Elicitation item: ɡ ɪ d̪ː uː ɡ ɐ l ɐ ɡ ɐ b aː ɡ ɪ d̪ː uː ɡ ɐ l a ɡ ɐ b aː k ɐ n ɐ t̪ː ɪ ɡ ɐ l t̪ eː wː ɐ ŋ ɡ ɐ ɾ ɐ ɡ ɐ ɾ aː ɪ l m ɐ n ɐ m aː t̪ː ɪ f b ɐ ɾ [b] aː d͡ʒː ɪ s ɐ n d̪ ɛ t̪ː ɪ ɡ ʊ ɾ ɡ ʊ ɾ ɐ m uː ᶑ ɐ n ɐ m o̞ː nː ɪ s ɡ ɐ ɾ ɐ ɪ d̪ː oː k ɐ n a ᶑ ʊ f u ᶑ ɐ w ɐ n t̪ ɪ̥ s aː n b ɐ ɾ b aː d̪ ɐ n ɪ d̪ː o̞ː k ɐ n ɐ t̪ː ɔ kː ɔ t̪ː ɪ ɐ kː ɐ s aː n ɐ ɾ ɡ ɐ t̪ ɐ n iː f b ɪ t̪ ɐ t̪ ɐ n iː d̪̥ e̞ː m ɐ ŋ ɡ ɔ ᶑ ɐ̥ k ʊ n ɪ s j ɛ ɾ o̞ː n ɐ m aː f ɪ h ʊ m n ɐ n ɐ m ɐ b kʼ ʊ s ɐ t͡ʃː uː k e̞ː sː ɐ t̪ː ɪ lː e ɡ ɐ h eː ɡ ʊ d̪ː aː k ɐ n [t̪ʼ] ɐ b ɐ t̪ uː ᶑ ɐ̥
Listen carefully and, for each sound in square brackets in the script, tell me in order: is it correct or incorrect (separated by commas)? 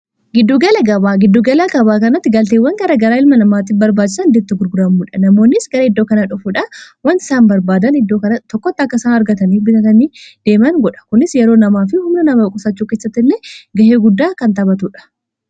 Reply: correct, incorrect